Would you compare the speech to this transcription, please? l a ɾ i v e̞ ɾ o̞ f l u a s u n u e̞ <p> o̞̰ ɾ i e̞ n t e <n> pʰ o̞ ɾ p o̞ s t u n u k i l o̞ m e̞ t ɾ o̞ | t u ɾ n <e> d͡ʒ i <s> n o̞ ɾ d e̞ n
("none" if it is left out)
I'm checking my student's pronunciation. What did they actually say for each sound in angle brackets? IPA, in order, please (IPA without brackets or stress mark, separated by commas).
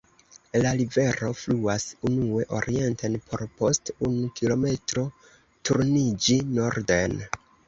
ʔ, n, i, none